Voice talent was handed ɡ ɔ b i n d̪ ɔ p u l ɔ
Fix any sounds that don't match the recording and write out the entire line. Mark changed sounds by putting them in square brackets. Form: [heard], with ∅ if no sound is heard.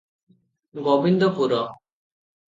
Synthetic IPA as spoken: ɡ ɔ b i n d̪ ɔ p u [ɾ] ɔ